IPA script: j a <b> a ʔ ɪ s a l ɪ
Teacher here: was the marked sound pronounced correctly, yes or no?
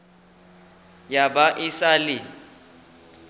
yes